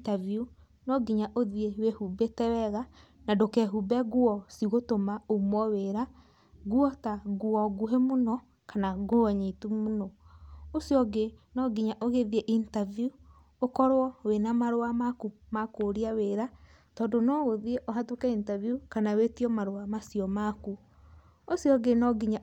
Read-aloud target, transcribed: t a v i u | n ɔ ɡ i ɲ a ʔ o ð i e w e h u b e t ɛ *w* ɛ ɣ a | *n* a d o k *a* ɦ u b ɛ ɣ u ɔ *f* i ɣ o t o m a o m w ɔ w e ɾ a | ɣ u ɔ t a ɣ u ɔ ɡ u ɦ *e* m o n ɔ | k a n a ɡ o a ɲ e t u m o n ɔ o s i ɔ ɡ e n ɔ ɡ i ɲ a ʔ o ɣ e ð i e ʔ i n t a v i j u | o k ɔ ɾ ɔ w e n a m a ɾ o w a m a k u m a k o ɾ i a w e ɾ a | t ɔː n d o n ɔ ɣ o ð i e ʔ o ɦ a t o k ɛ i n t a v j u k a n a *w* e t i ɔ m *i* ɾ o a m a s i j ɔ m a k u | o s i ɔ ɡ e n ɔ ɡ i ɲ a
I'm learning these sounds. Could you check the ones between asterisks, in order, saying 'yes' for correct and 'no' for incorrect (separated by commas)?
yes, yes, no, no, yes, yes, no